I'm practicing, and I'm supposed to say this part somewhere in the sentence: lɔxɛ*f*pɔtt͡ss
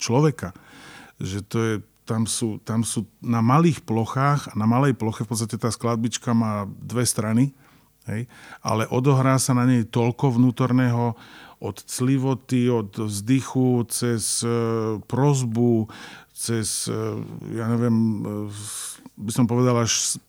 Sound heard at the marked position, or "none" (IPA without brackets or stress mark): f